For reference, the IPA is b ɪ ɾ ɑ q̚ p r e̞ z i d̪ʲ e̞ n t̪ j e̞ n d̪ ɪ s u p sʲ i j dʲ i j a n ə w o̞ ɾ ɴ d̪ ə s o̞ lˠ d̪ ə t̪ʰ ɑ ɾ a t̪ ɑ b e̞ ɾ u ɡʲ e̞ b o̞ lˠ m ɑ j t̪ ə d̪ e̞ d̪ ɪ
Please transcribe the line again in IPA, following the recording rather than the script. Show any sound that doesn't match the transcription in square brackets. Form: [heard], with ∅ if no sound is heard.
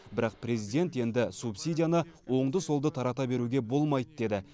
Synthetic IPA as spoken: b ɪ ɾ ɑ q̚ p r e̞ z i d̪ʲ e̞ n t̪ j e̞ n d̪ ɪ s u p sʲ i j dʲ i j a n ə w o̞ [∅] ɴ d̪ ə s o̞ lˠ d̪ ə t̪ʰ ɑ ɾ [ɑ] t̪ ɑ b e̞ ɾ u ɡʲ e̞ b o̞ lˠ m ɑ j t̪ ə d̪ e̞ d̪ ɪ

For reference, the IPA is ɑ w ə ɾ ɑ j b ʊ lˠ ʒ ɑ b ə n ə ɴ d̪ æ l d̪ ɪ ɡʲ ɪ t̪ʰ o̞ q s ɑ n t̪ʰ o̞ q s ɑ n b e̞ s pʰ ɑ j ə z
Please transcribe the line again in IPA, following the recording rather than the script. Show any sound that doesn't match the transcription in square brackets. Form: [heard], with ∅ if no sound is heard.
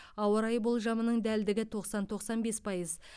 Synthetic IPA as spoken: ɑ w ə ɾ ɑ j b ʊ lˠ ʒ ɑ [m] ə n ə ɴ d̪ æ l d̪ ɪ ɡʲ ɪ t̪ʰ o̞ q s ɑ n t̪ʰ o̞ q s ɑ n b e̞ s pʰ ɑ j ə z

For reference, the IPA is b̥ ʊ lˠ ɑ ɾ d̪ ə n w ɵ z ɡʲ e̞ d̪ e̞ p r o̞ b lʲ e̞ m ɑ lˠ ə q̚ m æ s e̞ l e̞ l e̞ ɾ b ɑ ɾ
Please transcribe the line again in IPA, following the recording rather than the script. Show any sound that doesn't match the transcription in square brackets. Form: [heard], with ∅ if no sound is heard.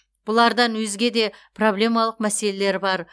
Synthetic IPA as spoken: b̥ ʊ lˠ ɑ ɾ d̪ [ɑ] n w ɵ z ɡʲ e̞ d̪ e̞ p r o̞ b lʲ e̞ m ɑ lˠ ə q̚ m æ s e̞ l e̞ l e̞ ɾ b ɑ ɾ

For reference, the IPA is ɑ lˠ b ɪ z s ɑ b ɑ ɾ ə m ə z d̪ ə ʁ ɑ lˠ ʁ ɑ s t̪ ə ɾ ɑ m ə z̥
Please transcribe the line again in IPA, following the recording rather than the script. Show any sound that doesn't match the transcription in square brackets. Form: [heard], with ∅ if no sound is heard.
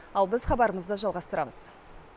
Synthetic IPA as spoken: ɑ lˠ b ɪ z [χ] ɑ b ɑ ɾ ə m ə z d̪ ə [ʒ] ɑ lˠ ʁ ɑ s t̪ ə ɾ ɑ m ə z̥

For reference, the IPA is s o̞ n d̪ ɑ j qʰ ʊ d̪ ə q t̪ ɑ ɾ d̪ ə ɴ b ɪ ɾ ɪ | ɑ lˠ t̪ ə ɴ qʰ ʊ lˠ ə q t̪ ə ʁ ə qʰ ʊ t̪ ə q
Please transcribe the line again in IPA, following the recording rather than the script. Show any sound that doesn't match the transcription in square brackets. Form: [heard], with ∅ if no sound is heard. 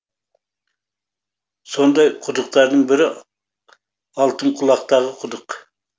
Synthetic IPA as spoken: s o̞ n d̪ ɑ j qʰ ʊ d̪ ə q t̪ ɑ ɾ d̪ ə ɴ b ɪ ɾ ɪ | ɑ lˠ t̪ ə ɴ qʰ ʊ lˠ [ɑ] q t̪ [ɑ] ʁ ə qʰ ʊ [d̪] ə q

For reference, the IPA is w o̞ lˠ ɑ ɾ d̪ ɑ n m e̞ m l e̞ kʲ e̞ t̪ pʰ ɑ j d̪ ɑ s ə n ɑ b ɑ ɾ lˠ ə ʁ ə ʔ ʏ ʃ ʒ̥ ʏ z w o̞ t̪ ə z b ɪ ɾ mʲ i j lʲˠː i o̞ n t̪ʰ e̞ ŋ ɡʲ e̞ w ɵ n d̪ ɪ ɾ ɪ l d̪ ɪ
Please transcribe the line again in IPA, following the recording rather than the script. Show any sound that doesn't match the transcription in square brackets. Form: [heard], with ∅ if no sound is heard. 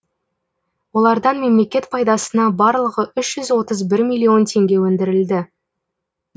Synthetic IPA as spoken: w o̞ lˠ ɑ ɾ d̪ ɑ n m e̞ m l e̞ kʲ e̞ t̪ pʰ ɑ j d̪ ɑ s ə n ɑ b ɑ ɾ lˠ ə ʁ ə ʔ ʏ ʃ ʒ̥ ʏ z w o̞ t̪ ə z b ɪ ɾ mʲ i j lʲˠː i o̞ n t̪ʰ e̞ ŋ ɡʲ e̞ w ɵ n d̪ ɪ ɾ ɪ l d̪ ɪ

